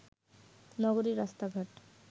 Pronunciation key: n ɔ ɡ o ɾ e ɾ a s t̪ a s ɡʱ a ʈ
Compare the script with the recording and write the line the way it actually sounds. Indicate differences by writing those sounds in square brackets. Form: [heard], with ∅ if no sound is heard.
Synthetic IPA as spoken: n ɔ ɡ o ɾ [i] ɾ a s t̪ a [∅] ɡʱ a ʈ